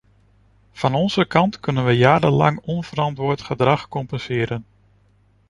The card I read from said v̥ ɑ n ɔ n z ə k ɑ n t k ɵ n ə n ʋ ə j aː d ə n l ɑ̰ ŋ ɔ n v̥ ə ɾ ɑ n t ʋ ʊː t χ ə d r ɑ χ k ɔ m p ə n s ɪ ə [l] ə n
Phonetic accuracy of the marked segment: incorrect: ɾ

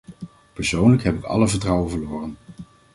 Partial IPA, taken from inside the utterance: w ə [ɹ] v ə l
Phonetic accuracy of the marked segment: incorrect: none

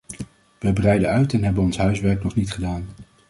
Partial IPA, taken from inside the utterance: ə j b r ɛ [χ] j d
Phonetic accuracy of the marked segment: incorrect: none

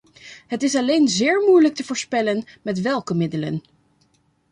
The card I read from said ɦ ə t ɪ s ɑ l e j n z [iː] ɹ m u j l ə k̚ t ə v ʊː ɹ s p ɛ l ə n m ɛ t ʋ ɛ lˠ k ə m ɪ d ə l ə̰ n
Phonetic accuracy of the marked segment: incorrect: ɪː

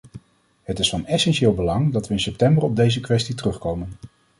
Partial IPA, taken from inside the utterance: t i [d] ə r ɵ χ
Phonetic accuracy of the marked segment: incorrect: t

